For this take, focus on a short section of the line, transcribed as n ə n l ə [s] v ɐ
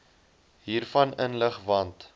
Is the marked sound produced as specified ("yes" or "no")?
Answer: no